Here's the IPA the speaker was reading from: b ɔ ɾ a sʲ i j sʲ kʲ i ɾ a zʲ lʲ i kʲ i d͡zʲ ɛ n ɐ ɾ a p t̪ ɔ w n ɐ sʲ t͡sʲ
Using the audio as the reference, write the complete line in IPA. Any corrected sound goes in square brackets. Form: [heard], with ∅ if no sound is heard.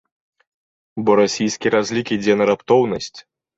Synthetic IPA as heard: b ɔ ɾ a sʲ i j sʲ kʲ i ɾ a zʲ lʲ i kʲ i d͡zʲ ɛ n ɐ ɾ a p t̪ ɔ w n ɐ sʲ t͡sʲ